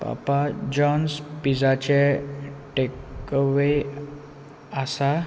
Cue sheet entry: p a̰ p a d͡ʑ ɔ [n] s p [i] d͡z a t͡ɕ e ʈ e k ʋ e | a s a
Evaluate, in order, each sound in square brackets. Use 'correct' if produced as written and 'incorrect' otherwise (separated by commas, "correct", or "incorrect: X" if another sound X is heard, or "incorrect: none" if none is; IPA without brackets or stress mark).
correct, correct